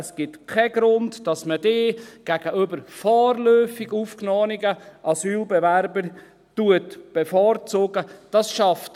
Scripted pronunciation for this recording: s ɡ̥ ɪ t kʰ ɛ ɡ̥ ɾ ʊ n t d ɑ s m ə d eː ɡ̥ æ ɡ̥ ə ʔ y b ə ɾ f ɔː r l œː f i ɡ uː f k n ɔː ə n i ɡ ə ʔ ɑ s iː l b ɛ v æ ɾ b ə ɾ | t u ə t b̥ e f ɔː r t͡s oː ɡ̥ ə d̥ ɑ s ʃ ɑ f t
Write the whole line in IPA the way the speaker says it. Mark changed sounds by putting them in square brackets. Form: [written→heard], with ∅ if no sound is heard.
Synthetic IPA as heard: s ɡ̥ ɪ t kʰ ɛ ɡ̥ ɾ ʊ n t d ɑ s m ə d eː ɡ̥ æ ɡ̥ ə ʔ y b ə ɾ f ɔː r l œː f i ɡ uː f k n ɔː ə n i ɡ ə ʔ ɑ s [iː→yː] l b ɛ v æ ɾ b ə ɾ | t u ə t b̥ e f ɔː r t͡s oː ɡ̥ ə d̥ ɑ s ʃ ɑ f t